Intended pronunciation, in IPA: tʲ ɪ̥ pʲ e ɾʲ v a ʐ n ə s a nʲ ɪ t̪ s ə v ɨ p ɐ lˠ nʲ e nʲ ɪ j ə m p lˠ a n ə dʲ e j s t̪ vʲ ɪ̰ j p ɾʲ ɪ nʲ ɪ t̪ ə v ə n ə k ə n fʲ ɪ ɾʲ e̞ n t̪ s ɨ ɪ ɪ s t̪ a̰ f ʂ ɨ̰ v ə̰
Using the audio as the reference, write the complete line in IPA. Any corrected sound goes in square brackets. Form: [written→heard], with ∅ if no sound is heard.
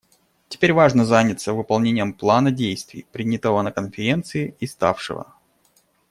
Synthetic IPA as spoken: tʲ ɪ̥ pʲ e ɾʲ v a ʐ n ə [s→z] a nʲ ɪ t̪ s ə v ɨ p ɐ lˠ nʲ e nʲ ɪ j ə m p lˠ a n ə dʲ e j s t̪ vʲ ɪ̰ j p ɾʲ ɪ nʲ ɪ t̪ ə v ə n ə k ə n fʲ ɪ ɾʲ e̞ n t̪ s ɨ ɪ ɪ s t̪ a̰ f ʂ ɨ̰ v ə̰